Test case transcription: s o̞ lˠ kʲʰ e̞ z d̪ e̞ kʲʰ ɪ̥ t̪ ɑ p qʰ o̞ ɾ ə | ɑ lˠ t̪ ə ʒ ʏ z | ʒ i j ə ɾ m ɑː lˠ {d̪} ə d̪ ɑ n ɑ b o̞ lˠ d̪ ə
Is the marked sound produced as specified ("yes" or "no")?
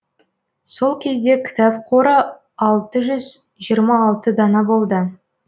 no